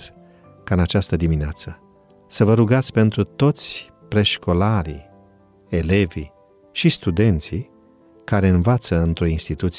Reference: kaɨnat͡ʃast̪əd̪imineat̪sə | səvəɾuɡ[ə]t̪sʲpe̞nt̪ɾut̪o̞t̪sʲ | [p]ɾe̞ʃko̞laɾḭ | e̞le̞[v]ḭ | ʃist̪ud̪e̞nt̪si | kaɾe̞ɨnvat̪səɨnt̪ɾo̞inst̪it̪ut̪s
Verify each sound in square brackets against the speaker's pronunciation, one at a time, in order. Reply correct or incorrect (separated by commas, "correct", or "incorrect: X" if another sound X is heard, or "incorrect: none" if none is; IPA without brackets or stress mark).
incorrect: a, correct, correct